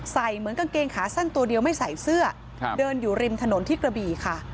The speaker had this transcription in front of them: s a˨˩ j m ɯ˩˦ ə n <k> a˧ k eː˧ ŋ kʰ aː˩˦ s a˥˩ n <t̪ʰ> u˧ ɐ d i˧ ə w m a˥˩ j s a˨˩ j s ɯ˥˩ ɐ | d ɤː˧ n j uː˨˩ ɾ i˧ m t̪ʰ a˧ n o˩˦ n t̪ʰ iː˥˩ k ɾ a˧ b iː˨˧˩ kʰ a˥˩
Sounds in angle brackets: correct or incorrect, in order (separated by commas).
correct, incorrect